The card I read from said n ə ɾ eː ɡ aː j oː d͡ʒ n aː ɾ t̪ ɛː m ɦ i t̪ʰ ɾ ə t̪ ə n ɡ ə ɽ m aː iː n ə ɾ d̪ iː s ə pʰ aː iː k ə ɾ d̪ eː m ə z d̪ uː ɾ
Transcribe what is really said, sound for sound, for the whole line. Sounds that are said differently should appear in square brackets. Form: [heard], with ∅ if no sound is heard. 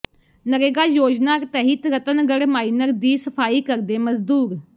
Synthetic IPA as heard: n ə ɾ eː ɡ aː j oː d͡ʒ n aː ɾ t̪ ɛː [∅] ɦ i [t̪] ɾ ə t̪ ə n ɡ ə ɽ m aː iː n ə ɾ d̪ iː s ə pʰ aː iː k ə ɾ d̪ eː m ə z d̪ uː ɾ